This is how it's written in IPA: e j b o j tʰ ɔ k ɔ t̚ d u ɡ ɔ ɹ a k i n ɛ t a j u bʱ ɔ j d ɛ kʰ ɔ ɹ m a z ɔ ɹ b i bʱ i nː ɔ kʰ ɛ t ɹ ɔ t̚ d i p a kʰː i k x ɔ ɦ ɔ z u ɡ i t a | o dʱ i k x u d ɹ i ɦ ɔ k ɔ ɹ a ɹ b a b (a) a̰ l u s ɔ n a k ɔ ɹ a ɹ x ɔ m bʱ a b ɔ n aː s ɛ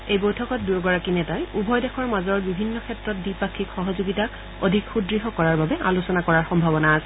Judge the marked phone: incorrect: ɛ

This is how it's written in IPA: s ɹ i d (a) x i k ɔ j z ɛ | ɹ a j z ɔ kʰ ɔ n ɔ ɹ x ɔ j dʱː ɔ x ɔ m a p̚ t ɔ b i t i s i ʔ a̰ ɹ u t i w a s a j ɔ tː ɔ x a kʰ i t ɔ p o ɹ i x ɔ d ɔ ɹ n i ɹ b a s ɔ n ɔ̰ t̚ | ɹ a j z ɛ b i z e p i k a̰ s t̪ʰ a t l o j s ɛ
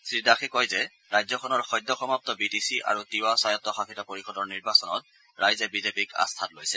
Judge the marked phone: correct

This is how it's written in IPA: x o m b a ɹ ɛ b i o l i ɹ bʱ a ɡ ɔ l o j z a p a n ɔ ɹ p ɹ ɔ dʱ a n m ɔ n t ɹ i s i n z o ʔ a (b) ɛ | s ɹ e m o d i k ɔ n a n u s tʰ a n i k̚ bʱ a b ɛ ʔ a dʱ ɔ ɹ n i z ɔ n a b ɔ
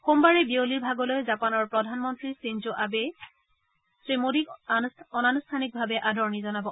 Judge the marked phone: correct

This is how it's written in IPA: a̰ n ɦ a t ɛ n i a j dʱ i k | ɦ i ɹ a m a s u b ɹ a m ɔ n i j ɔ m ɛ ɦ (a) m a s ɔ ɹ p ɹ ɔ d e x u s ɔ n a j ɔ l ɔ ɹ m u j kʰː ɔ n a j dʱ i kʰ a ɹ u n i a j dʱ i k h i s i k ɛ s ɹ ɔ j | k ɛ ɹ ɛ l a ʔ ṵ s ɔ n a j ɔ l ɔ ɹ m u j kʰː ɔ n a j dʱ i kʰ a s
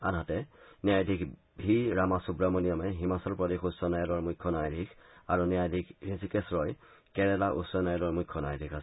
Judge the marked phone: incorrect: i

